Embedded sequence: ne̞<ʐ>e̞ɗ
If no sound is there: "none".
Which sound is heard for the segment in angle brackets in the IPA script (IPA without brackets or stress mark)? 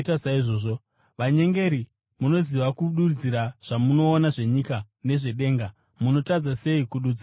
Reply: ʐ